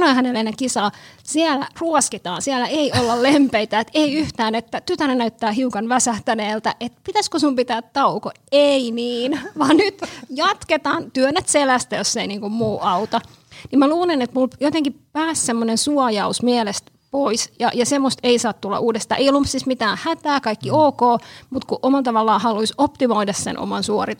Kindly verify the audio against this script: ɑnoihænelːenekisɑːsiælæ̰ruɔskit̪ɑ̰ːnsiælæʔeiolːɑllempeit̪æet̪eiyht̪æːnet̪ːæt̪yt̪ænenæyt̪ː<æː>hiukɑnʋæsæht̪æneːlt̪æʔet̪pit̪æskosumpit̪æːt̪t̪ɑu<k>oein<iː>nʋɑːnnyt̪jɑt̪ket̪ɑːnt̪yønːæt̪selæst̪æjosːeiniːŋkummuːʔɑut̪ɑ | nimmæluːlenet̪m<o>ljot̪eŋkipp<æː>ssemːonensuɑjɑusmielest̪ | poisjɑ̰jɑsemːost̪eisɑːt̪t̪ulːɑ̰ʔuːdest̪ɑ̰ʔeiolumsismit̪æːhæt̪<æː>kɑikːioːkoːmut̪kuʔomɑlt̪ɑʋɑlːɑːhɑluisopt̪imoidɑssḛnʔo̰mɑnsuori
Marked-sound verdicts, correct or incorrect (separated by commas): correct, correct, correct, incorrect, correct, correct